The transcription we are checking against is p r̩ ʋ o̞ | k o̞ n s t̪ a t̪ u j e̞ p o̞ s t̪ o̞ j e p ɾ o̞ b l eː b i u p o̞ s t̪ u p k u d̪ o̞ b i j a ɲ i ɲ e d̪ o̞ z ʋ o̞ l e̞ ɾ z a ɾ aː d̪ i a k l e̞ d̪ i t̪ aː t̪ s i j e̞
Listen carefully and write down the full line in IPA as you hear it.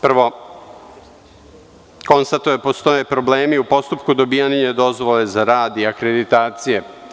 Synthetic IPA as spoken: p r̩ ʋ o̞ | k o̞ n s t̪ a t̪ u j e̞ p o̞ s t̪ o̞ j e p ɾ o̞ b l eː m i u p o̞ s t̪ u p k u d̪ o̞ b i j a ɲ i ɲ e d̪ o̞ z ʋ o̞ l e̞ z a ɾ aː d̪ i a k ɾ e̞ d̪ i t̪ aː t̪ s i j e̞